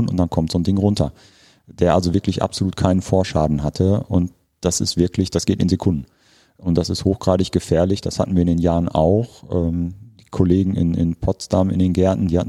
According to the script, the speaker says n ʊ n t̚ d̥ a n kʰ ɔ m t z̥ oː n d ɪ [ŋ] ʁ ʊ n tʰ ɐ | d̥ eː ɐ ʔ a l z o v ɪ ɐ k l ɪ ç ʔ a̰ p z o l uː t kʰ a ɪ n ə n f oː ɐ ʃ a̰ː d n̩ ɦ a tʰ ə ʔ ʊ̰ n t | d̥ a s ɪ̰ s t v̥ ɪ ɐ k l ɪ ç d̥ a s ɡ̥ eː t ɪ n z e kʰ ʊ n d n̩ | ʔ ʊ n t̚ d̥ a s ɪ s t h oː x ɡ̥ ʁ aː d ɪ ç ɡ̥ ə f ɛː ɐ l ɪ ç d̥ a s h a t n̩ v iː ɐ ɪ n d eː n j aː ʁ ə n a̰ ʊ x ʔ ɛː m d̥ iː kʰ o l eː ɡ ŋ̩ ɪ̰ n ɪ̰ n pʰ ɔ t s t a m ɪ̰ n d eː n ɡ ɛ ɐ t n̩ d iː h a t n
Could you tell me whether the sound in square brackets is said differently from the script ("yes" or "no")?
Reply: no